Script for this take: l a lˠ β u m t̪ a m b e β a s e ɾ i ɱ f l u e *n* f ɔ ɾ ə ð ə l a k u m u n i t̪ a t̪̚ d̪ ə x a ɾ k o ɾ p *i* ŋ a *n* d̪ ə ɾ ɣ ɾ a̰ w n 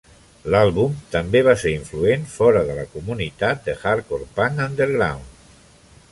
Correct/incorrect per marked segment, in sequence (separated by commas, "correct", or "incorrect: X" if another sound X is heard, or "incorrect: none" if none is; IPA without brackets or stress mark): correct, incorrect: a, correct